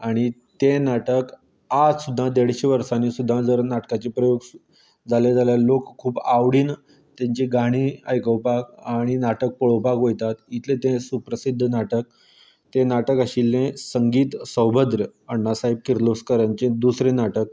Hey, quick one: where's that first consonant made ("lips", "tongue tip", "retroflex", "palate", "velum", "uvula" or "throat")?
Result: retroflex